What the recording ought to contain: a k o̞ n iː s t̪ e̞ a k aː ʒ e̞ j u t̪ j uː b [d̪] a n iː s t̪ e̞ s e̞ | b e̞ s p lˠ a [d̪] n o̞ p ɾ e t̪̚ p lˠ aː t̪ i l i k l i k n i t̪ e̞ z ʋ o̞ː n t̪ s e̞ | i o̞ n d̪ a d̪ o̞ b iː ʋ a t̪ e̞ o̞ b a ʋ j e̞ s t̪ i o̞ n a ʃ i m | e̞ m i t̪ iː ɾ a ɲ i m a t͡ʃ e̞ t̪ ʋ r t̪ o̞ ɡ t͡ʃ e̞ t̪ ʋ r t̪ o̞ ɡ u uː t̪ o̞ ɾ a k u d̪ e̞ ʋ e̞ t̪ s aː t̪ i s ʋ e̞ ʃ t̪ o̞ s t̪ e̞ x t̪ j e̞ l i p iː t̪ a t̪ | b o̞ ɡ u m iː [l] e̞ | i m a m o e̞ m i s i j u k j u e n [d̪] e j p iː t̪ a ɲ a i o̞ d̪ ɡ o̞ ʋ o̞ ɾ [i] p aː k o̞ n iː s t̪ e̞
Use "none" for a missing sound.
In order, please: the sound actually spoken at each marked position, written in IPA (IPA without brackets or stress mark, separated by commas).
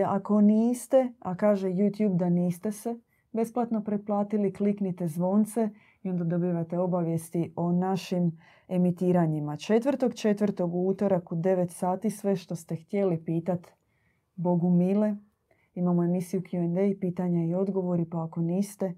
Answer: d̪, t̪, l, d̪, i